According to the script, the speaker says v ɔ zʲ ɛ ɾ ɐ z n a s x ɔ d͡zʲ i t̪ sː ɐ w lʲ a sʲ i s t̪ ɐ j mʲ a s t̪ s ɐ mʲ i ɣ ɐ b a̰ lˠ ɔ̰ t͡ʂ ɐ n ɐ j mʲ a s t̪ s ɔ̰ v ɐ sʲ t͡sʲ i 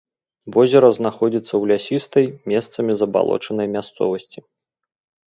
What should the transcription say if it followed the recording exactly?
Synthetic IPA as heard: v ɔ zʲ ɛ ɾ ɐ z n a x ɔ d͡zʲ i t̪ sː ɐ w lʲ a sʲ i s t̪ ɐ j mʲ ɛ s t̪ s ɐ mʲ i z ɐ b a̰ lˠ ɔ̰ t͡ʂ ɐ n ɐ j mʲ a s t̪ s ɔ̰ v ɐ sʲ t͡sʲ i